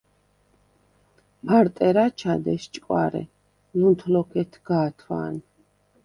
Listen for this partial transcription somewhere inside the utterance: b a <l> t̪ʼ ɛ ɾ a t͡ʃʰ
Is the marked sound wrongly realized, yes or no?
yes